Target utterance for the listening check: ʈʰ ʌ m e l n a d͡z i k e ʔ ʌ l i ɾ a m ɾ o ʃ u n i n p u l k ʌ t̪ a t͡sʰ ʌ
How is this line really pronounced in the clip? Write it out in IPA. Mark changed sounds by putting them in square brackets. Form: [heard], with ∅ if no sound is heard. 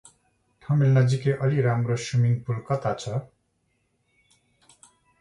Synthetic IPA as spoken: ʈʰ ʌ m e l n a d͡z i k e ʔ ʌ l i ɾ a m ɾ o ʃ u [m] i [ŋ] p u l k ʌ t̪ a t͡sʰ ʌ